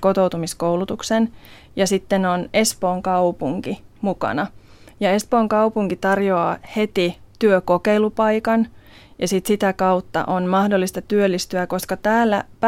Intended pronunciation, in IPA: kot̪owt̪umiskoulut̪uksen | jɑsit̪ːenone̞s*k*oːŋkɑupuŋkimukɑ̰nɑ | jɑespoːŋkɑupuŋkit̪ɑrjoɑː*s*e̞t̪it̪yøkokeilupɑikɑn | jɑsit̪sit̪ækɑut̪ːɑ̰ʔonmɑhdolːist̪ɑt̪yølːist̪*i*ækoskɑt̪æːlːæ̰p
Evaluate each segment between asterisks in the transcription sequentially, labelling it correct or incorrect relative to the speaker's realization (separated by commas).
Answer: incorrect, incorrect, incorrect